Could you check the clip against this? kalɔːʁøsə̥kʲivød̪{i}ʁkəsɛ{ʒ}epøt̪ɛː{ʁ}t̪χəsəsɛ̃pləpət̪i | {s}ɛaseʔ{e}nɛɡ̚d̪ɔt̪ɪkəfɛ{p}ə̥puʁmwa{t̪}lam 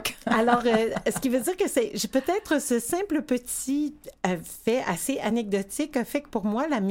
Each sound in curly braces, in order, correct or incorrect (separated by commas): incorrect, correct, incorrect, incorrect, incorrect, incorrect, incorrect